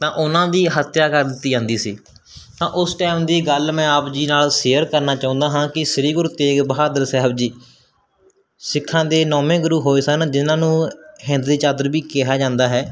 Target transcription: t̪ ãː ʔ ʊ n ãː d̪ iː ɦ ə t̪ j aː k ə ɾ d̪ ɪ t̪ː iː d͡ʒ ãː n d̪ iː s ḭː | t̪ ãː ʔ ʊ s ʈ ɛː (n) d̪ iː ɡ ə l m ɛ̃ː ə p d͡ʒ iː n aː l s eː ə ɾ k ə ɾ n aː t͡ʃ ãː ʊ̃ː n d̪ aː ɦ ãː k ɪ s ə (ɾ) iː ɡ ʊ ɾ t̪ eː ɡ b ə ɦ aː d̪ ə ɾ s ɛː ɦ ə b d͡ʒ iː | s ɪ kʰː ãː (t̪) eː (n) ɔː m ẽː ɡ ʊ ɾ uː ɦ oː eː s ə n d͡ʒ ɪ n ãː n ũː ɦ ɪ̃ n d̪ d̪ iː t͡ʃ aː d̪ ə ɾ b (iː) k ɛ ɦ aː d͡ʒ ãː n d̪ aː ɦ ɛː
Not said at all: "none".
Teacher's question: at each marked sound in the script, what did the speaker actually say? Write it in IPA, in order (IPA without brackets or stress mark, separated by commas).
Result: m, ɾ, d̪, n, iː